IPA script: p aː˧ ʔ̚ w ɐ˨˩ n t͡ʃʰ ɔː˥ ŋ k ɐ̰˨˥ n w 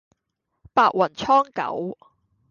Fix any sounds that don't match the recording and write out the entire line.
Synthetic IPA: p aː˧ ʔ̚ w ɐ˨˩ n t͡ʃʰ ɔː˥ ŋ k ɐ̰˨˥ w